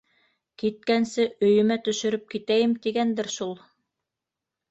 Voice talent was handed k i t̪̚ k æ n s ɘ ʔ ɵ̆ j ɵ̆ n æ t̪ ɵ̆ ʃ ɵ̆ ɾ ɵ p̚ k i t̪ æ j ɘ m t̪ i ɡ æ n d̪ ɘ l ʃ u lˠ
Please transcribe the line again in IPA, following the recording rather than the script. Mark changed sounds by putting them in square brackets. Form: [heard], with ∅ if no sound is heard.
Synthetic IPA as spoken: k i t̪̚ k æ n s ɘ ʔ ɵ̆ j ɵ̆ [m] æ t̪ ɵ̆ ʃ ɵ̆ ɾ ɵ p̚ k i t̪ æ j ɘ m t̪ i ɡ æ n d̪ ɘ [ɾ] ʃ u lˠ